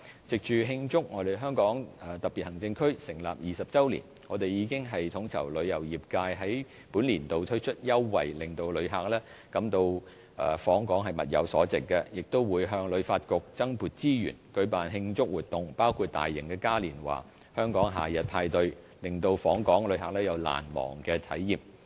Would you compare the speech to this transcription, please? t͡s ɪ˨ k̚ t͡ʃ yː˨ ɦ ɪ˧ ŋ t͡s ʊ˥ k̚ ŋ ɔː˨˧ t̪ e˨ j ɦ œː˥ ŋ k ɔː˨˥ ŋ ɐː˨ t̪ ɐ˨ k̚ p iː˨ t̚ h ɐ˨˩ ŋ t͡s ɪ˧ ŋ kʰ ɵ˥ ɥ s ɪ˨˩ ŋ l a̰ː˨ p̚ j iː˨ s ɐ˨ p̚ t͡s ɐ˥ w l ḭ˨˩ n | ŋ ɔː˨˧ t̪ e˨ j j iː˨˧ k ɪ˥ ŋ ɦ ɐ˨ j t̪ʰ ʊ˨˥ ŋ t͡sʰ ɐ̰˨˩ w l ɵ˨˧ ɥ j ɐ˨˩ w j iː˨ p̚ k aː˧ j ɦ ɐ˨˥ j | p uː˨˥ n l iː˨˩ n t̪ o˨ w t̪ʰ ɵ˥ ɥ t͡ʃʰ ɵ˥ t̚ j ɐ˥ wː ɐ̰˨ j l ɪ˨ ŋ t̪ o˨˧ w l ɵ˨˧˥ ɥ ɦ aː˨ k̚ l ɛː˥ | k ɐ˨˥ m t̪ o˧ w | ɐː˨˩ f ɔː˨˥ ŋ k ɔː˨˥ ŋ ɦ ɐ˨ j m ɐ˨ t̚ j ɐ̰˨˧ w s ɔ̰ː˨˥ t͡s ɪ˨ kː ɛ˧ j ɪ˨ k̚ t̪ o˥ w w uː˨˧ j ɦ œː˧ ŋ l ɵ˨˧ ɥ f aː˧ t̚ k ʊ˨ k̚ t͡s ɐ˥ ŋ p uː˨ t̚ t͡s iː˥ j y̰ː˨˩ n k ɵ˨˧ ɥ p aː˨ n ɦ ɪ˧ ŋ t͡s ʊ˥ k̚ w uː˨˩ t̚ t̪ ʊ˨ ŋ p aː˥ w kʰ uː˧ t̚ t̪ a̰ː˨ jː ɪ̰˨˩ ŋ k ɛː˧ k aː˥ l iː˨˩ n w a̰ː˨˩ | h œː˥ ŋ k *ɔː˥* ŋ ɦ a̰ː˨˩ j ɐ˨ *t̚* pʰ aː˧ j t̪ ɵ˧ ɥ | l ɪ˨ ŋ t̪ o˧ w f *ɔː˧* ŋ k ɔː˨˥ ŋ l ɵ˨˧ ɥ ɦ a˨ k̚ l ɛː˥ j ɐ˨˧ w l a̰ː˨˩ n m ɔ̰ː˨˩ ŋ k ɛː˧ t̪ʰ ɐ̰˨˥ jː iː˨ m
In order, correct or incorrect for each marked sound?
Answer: incorrect: ɔː˨˥, correct, incorrect: ɔː˨˥

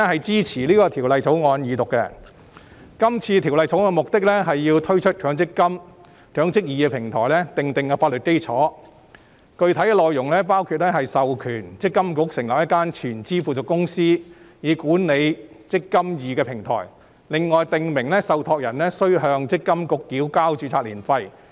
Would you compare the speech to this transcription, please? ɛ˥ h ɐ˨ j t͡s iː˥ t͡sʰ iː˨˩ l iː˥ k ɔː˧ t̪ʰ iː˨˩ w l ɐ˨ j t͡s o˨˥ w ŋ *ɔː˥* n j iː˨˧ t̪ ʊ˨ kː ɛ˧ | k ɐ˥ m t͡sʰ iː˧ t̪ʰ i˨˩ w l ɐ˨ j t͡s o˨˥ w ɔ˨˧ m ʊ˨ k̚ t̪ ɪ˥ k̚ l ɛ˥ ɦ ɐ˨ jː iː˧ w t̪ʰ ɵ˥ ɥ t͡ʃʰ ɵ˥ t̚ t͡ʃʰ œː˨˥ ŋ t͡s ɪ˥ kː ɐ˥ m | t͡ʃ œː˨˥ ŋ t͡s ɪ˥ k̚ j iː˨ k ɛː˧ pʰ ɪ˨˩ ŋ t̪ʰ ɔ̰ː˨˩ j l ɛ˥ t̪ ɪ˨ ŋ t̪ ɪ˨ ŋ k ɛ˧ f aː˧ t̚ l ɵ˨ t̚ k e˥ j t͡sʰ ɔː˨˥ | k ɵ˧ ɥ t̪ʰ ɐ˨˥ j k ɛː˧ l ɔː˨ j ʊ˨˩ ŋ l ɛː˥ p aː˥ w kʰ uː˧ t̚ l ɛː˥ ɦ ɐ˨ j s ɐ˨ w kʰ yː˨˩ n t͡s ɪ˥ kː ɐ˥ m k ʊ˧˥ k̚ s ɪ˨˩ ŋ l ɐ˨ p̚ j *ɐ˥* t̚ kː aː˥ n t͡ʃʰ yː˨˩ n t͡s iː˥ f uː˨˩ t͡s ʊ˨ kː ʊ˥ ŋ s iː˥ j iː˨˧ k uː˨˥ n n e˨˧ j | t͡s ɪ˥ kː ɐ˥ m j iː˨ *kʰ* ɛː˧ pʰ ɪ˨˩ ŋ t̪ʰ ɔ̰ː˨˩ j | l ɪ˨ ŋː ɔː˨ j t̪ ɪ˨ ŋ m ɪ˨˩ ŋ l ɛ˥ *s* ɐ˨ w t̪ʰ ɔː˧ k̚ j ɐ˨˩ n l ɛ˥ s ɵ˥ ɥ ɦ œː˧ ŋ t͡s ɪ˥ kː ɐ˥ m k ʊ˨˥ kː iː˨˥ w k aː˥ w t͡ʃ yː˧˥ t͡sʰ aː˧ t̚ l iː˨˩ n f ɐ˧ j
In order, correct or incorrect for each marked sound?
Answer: incorrect: ɔː˨˧, correct, incorrect: k, correct

